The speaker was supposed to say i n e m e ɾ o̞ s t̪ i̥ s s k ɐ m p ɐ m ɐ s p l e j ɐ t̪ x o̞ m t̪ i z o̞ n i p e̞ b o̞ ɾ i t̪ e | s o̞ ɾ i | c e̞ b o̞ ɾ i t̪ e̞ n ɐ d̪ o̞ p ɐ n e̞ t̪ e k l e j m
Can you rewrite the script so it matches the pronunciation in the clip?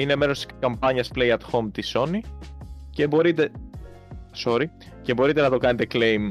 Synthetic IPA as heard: i n e m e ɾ o̞ s t̪ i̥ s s k ɐ m p ɐ ɲ ɐ s p l e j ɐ t̪ x o̞ m t̪ i s o̞ n i c e̞ b o̞ ɾ i t̪ e | s o̞ ɾ i | c e̞ b o̞ ɾ i t̪ e̞ n ɐ t̪ o̞ k ɐ n e̞ t̪ e k l e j m